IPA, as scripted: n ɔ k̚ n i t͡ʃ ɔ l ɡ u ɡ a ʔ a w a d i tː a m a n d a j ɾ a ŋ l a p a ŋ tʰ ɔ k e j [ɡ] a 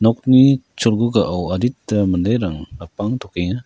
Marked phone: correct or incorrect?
incorrect